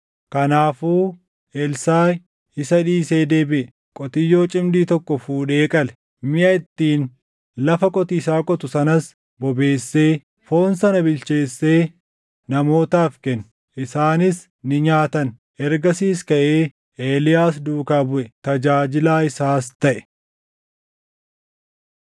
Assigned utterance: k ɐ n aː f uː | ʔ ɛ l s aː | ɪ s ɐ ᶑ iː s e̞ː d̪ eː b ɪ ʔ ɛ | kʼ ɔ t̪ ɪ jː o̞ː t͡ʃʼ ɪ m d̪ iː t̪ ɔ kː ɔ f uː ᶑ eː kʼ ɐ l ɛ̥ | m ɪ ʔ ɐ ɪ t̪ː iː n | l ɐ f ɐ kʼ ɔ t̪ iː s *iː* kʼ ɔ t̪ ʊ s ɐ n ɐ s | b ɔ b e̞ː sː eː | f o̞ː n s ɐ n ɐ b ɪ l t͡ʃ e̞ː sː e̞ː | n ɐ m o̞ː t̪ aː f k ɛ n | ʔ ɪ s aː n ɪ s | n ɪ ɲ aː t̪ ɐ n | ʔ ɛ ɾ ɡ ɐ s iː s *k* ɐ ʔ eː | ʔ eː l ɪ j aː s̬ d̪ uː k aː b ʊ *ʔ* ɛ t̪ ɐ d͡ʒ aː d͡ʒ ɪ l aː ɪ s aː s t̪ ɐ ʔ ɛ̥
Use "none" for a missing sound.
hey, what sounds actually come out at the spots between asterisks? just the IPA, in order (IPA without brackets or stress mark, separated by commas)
aː, k, ʔ